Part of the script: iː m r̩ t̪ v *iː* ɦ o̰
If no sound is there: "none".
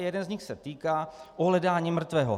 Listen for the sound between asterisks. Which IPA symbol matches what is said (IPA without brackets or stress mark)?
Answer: ɛː